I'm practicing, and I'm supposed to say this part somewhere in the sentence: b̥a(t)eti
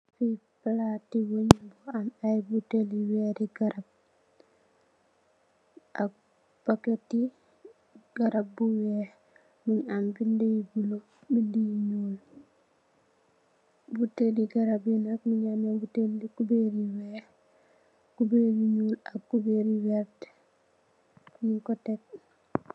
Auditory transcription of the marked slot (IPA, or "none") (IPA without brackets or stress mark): k